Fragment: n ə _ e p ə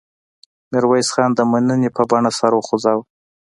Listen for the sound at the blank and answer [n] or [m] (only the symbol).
n